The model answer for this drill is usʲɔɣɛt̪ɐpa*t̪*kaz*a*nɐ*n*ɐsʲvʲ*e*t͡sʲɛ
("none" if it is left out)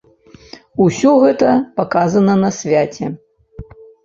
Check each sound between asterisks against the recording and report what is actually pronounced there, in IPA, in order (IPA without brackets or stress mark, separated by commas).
none, ɐ, n, a